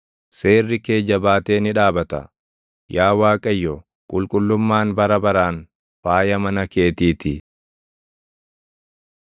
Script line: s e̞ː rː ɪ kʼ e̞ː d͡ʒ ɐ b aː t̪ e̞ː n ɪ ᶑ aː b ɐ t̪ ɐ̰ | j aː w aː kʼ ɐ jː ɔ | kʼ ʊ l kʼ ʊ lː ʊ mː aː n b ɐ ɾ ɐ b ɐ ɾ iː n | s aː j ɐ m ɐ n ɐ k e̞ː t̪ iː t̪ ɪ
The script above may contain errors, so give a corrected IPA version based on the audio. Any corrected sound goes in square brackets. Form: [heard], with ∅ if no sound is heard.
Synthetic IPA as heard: s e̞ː rː ɪ [k] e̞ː d͡ʒ ɐ b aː t̪ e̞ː n ɪ ᶑ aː b ɐ t̪ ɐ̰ | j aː w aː kʼ ɐ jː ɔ | kʼ ʊ l kʼ ʊ lː ʊ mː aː n b ɐ ɾ ɐ b ɐ ɾ [aː] n | [f] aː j ɐ m ɐ n ɐ k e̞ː t̪ iː t̪ ɪ